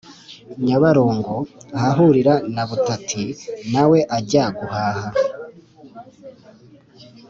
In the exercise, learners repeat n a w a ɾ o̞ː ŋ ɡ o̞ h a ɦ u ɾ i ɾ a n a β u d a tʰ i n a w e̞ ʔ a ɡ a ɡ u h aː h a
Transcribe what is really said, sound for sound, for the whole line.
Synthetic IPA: ɲ a β a ɾ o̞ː ŋ ɡ o̞ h a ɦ u ɾ i ɾ a n a β u t a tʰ i n a w e̞ ʔ a ɟ a ɡ u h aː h a